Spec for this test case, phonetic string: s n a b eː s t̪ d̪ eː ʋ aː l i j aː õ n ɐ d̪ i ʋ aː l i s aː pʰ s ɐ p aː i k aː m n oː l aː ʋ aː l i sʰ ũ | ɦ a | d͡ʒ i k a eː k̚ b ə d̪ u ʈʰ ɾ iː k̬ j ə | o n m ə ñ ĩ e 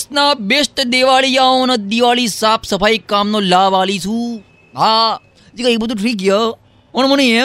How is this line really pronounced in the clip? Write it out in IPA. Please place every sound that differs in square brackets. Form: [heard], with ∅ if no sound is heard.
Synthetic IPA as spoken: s n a b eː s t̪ d̪ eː ʋ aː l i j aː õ n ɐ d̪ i ʋ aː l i s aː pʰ s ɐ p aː i k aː m n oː l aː ʋ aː l i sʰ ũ | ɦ a | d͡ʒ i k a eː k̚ b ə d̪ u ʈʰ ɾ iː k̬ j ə | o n m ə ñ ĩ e